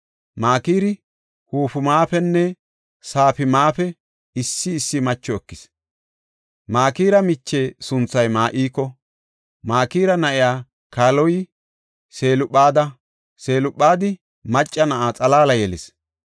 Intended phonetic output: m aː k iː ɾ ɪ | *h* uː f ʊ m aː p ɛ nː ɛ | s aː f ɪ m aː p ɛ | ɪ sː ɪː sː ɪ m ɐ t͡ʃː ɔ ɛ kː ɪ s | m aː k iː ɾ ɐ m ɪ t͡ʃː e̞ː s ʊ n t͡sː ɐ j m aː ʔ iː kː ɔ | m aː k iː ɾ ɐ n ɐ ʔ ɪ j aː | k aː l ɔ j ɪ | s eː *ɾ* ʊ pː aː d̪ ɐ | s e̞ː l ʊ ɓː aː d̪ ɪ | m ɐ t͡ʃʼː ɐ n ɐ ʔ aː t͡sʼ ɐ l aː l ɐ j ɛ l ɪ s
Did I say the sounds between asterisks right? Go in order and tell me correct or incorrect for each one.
correct, incorrect

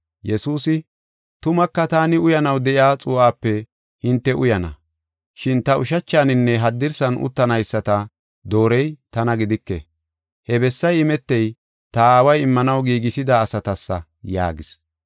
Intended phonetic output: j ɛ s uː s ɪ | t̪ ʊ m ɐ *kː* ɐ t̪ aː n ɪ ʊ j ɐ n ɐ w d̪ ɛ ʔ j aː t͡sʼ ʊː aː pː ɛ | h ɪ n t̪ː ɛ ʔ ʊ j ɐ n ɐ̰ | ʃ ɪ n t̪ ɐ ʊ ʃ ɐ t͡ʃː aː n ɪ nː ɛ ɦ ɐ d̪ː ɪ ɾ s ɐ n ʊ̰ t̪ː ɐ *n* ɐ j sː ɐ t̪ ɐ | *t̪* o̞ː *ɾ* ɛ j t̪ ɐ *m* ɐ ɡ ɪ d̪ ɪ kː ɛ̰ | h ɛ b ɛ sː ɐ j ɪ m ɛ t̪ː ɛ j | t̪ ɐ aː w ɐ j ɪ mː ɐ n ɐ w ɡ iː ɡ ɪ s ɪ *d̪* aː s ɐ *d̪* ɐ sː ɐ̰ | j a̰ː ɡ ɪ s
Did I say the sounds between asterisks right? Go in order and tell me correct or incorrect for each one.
correct, correct, incorrect, correct, incorrect, correct, incorrect

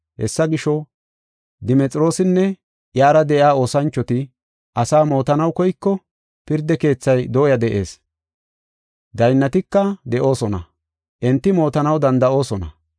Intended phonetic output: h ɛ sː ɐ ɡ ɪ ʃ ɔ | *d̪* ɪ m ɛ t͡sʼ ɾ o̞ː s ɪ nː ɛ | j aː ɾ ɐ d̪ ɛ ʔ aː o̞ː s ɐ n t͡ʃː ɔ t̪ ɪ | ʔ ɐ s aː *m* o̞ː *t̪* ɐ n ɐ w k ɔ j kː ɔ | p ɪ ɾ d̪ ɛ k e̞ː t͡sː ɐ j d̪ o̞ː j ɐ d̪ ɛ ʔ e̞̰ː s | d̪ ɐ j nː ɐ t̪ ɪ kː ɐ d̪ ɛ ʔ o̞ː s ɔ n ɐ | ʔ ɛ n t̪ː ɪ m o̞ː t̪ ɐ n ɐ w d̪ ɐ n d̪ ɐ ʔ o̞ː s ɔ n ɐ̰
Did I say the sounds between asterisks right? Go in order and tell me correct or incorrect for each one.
correct, correct, correct

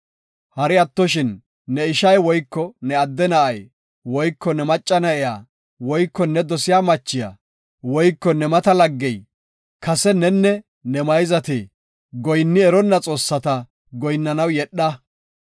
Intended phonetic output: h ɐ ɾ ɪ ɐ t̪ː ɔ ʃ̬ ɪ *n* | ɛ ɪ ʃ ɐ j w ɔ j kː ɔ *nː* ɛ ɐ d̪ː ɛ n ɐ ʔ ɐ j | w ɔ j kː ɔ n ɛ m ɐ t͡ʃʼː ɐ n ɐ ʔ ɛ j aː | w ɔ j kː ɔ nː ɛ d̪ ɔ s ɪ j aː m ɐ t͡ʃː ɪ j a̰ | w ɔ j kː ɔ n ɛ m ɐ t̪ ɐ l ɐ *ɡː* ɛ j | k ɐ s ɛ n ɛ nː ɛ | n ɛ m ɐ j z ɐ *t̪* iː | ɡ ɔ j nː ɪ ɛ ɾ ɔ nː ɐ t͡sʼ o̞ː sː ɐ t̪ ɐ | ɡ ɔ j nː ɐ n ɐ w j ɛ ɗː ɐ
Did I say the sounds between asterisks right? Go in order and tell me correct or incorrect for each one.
incorrect, incorrect, correct, correct

